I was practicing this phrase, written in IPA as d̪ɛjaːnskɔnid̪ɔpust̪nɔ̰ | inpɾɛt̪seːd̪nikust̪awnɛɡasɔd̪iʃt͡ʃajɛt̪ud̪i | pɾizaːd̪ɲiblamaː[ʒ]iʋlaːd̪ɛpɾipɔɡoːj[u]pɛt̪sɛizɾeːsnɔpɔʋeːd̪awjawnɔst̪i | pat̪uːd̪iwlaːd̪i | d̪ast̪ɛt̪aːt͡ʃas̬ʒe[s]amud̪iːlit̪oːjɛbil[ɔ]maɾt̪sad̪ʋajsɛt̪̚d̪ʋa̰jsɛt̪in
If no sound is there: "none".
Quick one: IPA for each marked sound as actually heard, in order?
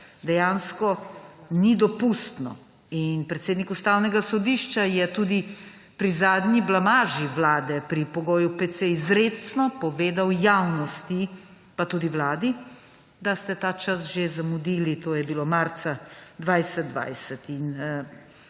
ʒ, u, z, o

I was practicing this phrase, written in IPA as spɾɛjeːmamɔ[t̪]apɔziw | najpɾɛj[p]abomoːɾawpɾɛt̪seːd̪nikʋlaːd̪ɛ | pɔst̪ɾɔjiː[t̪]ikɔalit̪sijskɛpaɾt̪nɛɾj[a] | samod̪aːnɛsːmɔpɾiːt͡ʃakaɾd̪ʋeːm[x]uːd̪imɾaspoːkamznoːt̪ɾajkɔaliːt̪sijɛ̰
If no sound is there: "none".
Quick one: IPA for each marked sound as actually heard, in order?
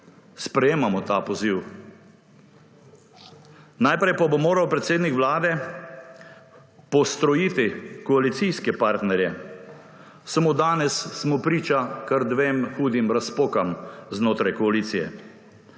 t̪, p, t̪, ɛ, x

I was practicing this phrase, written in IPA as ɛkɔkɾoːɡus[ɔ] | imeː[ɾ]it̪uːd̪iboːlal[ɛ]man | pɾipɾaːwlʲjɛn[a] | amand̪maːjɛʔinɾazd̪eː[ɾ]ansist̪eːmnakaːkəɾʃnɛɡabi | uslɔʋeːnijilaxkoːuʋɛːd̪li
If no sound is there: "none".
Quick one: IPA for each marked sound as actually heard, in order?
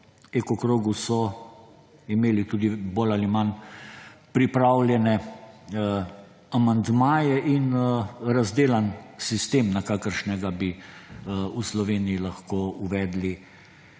ɔ, l, i, ɛ, l

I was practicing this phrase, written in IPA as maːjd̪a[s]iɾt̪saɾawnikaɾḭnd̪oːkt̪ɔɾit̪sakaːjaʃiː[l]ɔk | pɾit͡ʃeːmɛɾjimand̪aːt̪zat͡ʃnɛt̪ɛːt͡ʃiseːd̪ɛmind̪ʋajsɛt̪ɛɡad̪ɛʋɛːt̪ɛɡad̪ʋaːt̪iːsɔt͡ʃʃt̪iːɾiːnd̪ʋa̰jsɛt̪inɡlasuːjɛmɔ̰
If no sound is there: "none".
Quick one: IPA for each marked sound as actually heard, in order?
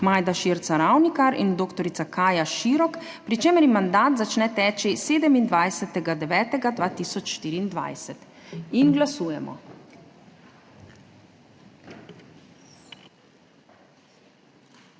ʃ, ɾ

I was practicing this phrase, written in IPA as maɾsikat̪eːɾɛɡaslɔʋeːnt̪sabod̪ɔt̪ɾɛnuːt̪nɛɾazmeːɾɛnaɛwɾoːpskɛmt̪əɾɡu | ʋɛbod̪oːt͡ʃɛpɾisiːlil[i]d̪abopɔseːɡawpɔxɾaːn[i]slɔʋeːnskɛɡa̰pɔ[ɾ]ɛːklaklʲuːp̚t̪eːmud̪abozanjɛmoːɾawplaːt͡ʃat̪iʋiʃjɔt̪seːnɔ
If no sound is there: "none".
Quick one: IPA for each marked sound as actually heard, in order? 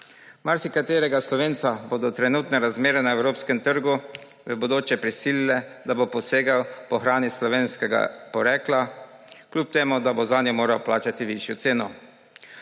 ɛ, i, ɾ

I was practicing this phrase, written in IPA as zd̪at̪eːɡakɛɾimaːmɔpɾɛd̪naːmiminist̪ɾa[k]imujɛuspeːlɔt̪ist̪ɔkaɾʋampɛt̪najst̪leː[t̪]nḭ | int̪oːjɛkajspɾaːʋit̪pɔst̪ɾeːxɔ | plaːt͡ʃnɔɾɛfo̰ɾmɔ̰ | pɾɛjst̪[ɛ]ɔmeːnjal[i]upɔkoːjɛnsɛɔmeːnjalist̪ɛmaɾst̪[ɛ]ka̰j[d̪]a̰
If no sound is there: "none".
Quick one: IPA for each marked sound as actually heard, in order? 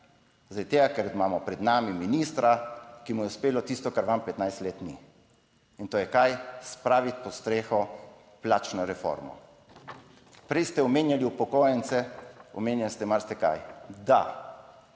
k, t̪, ɛ, i, ɛ, d̪

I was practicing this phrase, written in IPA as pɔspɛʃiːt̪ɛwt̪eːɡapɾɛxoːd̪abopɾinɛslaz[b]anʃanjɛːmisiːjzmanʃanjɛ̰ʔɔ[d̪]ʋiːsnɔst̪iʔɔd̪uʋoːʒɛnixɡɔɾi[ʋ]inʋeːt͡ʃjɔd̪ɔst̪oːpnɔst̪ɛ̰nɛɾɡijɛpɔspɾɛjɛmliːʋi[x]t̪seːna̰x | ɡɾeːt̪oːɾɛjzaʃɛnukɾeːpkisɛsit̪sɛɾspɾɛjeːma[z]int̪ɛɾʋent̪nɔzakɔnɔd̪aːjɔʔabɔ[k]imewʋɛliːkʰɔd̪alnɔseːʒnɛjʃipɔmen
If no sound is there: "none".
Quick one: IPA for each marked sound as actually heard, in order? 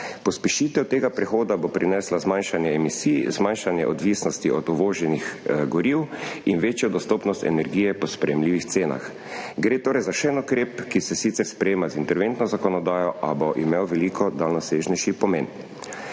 m, d̪, w, x, z, ʔ

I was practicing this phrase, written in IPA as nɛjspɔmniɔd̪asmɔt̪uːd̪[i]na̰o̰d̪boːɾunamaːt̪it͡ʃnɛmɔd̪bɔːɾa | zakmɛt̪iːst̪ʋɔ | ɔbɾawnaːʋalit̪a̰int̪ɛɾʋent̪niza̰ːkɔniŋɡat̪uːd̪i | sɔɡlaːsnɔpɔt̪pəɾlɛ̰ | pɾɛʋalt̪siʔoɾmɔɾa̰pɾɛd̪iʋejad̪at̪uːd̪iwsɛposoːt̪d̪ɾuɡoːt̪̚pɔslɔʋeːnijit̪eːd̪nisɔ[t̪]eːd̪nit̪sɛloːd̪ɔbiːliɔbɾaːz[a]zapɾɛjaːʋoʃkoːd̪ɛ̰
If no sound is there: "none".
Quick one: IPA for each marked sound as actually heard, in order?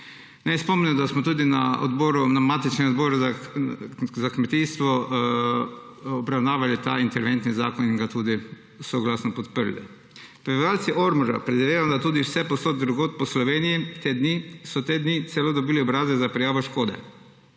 i, t̪, ɛ

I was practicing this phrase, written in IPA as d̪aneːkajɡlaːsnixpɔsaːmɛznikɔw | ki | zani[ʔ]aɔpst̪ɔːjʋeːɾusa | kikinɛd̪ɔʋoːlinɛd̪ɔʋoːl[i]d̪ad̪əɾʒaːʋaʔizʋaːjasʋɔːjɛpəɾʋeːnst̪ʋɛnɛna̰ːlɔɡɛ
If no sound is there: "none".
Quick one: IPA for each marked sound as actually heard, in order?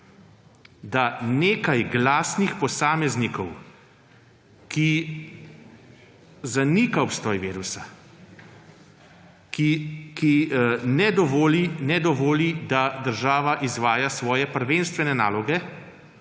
k, i

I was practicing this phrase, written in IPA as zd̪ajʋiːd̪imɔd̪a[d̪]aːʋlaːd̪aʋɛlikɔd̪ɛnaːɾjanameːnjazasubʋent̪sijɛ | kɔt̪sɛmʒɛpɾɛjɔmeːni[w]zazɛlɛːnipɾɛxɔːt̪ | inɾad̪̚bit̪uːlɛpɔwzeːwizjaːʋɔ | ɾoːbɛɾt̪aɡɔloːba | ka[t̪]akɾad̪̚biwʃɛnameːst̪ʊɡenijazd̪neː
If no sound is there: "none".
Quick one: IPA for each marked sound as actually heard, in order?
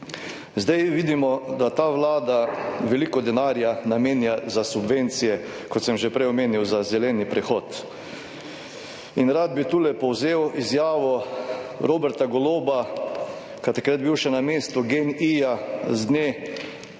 t̪, w, t̪

